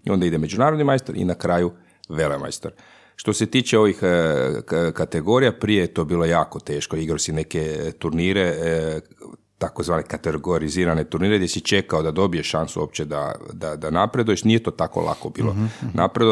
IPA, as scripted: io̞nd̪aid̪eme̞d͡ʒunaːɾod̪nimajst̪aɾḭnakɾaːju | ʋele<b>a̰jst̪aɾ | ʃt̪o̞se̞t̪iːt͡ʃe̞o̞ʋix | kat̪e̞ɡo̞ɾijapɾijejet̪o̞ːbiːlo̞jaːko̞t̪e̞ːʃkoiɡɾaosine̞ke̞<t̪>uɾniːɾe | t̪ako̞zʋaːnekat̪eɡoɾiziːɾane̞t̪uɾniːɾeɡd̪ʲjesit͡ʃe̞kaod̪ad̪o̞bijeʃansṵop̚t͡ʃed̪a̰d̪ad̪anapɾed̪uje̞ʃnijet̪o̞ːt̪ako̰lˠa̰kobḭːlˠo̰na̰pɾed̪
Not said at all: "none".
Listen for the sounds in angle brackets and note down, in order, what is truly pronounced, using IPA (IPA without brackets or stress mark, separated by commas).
m, t̪